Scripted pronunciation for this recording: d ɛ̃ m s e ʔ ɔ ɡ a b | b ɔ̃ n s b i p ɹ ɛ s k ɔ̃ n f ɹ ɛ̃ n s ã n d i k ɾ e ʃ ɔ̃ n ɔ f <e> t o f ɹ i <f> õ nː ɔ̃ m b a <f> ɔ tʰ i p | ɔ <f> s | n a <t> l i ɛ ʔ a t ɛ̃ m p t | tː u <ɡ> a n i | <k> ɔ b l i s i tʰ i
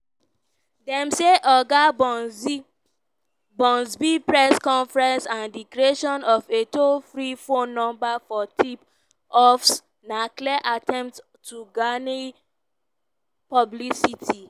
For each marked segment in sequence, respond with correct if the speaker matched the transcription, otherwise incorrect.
correct, correct, correct, correct, incorrect: k, correct, incorrect: p

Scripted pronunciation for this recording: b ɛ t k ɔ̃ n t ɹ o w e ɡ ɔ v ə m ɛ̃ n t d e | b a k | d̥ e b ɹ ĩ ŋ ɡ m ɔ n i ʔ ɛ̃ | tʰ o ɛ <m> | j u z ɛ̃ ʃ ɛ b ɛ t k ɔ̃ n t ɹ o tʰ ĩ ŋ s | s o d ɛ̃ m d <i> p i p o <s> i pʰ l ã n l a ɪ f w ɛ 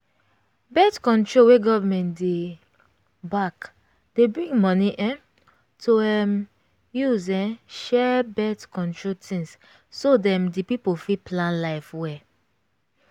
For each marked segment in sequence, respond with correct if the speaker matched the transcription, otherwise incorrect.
correct, correct, incorrect: f

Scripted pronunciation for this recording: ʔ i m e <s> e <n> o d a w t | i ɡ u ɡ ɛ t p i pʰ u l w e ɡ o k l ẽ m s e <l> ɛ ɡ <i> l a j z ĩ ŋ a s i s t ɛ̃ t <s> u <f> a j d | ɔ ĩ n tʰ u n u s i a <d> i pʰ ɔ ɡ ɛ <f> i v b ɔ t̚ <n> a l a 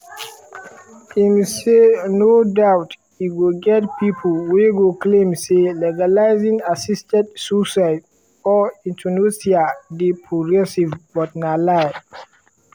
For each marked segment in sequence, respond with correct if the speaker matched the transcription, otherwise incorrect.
correct, correct, correct, incorrect: a, correct, incorrect: s, correct, incorrect: s, correct

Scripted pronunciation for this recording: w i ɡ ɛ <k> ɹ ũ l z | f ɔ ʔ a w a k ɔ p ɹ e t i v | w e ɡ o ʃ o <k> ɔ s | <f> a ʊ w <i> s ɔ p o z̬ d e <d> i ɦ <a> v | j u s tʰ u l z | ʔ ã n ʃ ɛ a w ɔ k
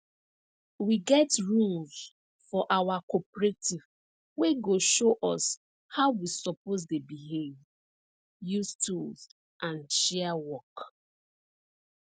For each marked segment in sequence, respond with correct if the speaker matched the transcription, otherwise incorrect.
incorrect: t, incorrect: ʔ, incorrect: h, correct, incorrect: b, incorrect: e

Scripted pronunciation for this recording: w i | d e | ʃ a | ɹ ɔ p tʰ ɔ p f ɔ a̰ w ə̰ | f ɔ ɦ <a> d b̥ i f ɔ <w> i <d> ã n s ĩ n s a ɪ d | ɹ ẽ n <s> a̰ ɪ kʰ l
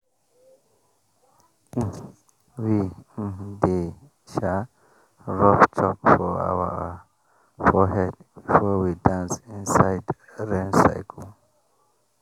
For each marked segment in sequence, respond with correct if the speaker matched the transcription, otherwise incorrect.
incorrect: ɛ, correct, correct, correct

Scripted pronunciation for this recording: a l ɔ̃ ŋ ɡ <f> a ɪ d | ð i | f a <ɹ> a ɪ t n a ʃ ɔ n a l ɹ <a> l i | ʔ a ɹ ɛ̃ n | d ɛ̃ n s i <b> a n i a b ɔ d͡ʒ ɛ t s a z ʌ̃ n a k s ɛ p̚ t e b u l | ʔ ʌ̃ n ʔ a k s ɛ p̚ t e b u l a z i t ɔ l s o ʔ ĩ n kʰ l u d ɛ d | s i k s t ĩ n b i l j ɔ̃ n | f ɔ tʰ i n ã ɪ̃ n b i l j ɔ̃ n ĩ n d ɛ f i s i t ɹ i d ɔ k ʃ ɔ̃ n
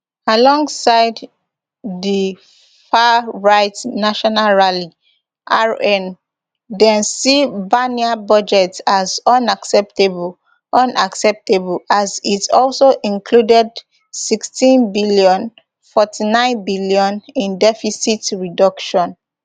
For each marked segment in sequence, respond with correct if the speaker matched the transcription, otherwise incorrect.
incorrect: s, correct, correct, correct

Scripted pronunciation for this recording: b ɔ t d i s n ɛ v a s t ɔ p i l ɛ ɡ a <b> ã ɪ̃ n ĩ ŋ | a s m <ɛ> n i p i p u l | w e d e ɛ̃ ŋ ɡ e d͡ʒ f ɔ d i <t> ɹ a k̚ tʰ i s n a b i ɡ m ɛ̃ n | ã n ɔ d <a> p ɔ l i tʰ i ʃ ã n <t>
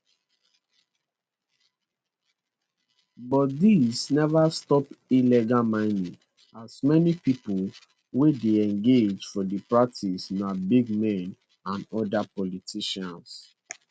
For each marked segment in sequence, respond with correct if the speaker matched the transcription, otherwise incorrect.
incorrect: m, correct, incorrect: p, correct, incorrect: s

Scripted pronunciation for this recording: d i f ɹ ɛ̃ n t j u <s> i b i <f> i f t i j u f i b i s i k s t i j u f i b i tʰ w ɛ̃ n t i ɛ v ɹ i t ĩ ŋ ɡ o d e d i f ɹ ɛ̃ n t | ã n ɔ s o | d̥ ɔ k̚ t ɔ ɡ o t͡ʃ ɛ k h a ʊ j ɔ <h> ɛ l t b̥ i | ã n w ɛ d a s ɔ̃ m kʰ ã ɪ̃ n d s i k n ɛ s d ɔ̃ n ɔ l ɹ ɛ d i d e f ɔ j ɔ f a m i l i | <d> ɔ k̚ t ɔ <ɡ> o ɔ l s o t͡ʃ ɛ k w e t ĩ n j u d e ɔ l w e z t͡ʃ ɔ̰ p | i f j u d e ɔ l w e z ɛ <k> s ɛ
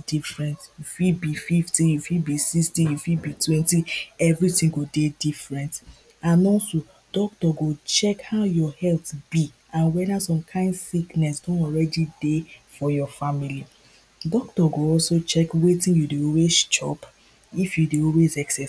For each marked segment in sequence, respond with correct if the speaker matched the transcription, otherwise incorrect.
incorrect: f, correct, correct, correct, correct, correct

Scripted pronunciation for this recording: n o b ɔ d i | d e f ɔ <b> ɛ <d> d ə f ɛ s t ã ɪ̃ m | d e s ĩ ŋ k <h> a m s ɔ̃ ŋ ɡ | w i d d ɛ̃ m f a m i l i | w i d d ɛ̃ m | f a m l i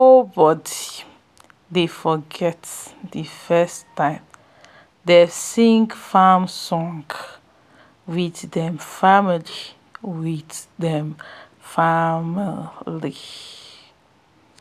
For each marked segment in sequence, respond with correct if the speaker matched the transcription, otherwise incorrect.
incorrect: ɡ, incorrect: t, incorrect: f

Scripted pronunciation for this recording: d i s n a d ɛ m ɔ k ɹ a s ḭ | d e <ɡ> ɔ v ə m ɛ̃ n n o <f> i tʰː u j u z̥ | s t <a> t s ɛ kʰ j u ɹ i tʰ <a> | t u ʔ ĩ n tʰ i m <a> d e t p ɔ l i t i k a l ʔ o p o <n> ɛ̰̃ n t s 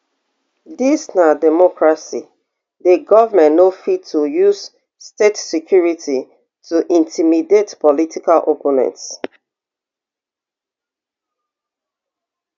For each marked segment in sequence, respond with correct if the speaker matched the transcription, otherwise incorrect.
correct, correct, incorrect: e, incorrect: i, incorrect: i, correct

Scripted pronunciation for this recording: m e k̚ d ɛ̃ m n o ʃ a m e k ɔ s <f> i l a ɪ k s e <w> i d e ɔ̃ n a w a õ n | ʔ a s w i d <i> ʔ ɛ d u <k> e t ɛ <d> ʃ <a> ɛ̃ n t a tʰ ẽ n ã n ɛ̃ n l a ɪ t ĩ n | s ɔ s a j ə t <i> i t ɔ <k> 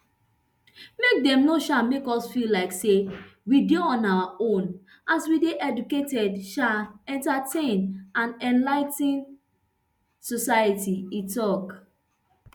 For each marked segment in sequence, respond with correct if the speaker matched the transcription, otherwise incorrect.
correct, correct, incorrect: e, correct, correct, correct, correct, correct

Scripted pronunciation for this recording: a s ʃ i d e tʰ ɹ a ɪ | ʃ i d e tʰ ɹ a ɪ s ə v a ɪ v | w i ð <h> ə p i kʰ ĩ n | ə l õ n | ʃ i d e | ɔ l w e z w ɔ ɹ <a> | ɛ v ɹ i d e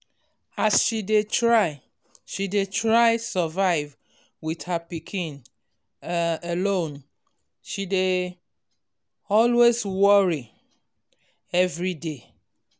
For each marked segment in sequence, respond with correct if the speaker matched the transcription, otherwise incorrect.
correct, incorrect: i

